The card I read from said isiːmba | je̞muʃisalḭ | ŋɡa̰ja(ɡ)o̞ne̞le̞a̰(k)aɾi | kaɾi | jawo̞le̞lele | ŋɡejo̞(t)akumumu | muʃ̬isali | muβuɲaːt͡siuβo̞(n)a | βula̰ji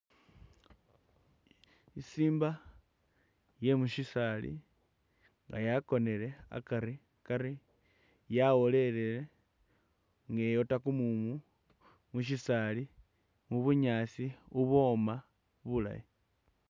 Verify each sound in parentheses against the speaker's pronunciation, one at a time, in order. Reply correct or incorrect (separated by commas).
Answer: incorrect, correct, correct, incorrect